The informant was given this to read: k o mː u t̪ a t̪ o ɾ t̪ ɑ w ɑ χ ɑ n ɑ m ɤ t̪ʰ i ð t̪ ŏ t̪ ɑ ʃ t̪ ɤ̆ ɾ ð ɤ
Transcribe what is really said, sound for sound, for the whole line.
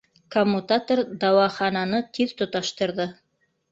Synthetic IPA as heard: k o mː u t̪ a t̪ o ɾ d̪ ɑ w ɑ χ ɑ n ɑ n ɤ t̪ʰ i ð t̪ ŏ t̪ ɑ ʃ t̪ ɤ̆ ɾ ð ɤ